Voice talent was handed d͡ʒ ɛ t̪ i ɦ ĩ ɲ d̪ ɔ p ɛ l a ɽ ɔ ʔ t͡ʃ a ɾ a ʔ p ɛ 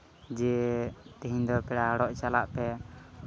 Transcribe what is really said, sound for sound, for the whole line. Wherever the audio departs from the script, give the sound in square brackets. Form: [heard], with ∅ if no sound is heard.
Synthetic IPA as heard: d͡ʒ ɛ t̪ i ɦ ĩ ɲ d̪ ɔ p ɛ [ɽ] a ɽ ɔ ʔ t͡ʃ a [l] a ʔ p ɛ